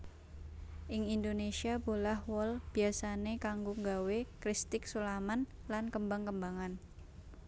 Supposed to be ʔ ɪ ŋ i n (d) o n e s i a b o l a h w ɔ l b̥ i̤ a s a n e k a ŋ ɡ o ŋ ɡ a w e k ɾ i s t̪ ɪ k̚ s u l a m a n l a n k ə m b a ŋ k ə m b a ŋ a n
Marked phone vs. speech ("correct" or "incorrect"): correct